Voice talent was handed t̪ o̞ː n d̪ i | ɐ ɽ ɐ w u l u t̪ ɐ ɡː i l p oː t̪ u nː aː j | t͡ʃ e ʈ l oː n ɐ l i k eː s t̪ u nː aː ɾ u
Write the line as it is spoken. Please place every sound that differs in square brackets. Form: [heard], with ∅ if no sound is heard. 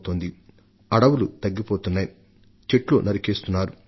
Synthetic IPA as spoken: t̪ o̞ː n d̪ i | ɐ ɽ ɐ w u l u t̪ ɐ ɡː i [∅] p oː t̪ u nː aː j | t͡ʃ e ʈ l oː n ɐ [ɾ] i k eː s t̪ u nː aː ɾ u